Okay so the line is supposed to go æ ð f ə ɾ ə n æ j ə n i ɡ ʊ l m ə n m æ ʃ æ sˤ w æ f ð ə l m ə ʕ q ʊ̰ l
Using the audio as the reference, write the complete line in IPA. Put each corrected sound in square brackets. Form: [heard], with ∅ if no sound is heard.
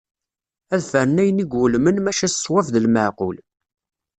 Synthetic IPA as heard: æ ð f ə ɾ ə n æ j ə n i ɡ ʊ l m ə n m æ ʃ æ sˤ w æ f ð ə l m ə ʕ q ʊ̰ l